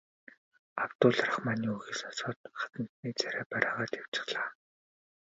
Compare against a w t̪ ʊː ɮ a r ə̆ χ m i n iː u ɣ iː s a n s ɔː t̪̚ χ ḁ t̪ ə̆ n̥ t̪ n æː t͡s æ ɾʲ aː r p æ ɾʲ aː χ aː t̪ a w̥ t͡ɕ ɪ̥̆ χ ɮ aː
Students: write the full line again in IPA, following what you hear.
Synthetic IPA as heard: a w t̪ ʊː ɮ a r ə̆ χ m a n iː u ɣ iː s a n s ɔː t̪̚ χ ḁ t̪ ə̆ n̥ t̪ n iː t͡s æ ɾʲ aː p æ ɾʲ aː ʁ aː t̪ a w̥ t͡ɕ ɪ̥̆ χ ɮ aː